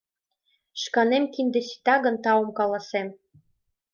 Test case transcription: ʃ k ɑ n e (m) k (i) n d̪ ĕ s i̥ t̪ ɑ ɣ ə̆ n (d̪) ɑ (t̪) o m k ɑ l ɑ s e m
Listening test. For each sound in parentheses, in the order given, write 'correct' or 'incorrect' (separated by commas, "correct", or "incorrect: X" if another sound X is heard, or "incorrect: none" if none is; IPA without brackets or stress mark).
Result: correct, correct, incorrect: t̪, incorrect: none